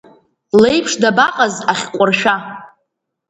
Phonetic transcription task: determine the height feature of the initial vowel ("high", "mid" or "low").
mid